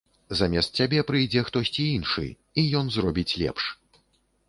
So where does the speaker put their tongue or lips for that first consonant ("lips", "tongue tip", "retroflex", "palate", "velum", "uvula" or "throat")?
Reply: tongue tip